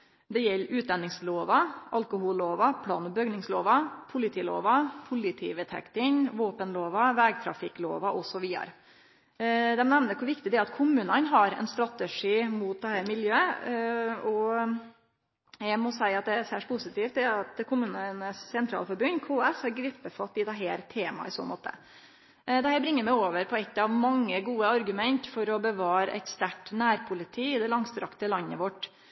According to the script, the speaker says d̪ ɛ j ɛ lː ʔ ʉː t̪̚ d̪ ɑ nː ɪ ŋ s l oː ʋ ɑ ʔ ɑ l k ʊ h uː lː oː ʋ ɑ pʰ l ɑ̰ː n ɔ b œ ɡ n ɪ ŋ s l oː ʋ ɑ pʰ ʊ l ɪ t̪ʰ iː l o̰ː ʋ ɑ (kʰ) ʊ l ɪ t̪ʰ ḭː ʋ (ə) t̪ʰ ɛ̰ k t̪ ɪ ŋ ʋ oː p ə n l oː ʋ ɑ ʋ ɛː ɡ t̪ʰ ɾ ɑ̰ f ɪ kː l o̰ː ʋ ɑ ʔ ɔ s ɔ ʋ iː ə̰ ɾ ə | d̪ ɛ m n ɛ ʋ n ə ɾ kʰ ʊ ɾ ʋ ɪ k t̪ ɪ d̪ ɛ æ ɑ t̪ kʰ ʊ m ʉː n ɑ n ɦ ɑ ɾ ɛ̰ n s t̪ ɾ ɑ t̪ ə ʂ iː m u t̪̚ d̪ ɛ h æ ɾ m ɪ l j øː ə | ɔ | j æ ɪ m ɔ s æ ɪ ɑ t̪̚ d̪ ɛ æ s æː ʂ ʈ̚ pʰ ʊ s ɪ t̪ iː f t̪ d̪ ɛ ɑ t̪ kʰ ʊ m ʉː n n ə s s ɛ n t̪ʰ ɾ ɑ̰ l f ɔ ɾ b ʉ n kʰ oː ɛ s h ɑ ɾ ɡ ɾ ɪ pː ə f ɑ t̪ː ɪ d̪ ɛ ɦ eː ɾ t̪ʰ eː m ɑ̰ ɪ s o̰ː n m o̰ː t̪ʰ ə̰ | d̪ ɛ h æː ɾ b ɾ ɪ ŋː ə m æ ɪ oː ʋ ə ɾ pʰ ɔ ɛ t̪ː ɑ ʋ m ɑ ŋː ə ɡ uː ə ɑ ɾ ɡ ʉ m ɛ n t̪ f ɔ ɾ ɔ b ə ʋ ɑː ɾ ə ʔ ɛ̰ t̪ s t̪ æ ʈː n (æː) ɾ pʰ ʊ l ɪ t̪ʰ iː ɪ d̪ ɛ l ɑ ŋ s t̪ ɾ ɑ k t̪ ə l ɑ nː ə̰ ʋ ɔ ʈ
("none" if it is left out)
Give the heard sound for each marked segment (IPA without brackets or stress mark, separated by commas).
pʰ, ə, æː